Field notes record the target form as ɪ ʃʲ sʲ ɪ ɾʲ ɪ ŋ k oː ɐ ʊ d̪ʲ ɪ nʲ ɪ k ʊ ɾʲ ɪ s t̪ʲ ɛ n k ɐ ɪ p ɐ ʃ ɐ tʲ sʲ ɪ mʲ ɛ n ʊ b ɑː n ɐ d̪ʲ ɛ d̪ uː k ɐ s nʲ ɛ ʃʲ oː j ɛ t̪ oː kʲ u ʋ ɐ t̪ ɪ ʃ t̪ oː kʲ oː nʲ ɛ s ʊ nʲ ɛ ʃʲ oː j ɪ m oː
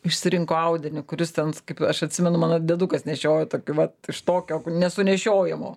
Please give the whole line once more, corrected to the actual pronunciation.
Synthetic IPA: ɪ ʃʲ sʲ ɪ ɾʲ ɪ ŋ k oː ɐ ʊ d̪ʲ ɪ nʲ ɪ k ʊ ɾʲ ɪ s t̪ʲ ɛ n k ɐ ɪ p ɐ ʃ ɐ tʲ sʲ ɪ mʲ ɛ n ʊ m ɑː n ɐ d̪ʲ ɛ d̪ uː k ɐ s nʲ ɛ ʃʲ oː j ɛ t̪ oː kʲ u ʋ ɐ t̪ ɪ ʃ t̪ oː kʲ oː nʲ ɛ s ʊ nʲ ɛ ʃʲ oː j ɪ m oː